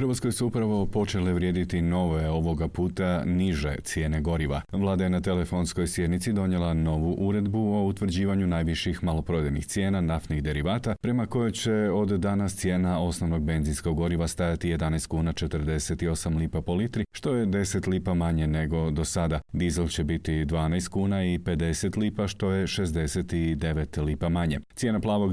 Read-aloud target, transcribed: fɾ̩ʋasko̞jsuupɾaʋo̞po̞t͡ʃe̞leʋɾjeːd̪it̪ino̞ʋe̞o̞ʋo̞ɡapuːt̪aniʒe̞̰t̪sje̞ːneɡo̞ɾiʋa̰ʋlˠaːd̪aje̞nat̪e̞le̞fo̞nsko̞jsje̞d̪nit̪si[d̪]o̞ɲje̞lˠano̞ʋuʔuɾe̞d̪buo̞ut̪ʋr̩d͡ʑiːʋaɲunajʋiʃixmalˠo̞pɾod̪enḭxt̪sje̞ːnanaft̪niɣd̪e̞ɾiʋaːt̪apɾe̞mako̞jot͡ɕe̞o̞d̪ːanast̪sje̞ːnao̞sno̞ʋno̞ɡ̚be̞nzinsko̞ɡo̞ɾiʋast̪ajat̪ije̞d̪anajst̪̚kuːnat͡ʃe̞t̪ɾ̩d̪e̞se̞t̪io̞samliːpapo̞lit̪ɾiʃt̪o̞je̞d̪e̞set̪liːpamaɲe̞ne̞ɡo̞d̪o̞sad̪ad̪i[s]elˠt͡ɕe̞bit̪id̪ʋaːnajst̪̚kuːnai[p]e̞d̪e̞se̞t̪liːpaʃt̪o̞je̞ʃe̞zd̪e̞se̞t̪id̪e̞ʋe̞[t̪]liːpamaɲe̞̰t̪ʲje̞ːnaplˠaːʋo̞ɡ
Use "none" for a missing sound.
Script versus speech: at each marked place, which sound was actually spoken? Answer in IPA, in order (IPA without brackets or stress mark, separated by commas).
d̪, z, p, t̪